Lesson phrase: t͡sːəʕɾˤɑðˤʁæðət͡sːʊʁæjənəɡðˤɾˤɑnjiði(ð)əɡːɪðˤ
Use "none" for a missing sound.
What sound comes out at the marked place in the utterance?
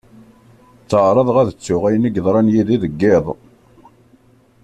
ð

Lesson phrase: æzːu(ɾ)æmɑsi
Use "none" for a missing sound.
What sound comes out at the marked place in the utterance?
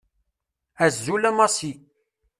l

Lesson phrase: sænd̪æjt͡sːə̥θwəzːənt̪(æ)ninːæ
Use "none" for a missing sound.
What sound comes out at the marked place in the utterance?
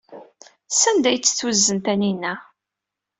æ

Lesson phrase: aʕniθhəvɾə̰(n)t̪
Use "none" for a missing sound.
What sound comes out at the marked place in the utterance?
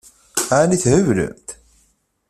m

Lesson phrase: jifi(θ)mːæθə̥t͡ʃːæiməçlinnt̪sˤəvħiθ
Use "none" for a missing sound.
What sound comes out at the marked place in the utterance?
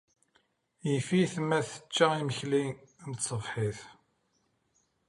θ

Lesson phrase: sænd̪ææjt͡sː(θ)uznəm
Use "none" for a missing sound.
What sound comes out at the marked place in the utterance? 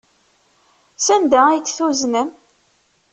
θ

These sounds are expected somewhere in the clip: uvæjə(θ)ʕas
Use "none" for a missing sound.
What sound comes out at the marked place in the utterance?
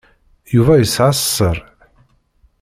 s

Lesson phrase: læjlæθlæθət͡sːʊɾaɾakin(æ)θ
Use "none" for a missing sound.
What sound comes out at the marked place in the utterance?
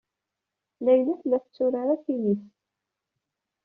i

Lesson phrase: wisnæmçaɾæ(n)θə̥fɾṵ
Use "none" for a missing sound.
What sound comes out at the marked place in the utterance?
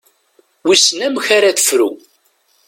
none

